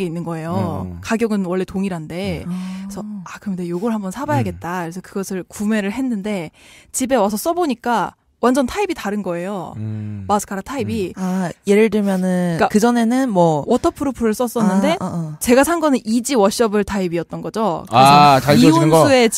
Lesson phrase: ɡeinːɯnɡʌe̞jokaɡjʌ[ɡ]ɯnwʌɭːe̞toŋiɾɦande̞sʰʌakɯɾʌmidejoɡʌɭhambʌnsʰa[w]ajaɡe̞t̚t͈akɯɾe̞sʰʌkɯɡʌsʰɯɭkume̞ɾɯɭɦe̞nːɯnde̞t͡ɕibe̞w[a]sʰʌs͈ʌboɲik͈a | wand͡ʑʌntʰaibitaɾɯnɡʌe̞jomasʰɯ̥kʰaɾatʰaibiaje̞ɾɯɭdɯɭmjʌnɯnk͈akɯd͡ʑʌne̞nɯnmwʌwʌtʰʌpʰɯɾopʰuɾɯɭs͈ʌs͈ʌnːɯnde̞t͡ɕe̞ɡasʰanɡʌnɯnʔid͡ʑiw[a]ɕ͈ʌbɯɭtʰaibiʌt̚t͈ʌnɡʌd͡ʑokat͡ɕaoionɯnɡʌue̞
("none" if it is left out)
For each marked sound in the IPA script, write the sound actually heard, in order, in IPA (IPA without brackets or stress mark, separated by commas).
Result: ɡ, b, a, ʌ